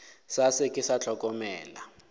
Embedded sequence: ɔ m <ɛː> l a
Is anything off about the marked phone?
no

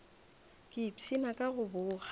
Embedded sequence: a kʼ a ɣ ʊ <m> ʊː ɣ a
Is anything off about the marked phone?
yes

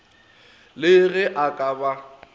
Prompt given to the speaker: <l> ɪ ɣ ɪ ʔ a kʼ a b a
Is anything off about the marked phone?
no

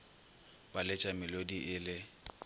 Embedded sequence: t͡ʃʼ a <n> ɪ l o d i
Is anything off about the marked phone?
yes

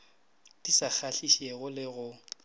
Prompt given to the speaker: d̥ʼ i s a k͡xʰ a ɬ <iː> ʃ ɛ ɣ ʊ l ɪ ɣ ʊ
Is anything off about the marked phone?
yes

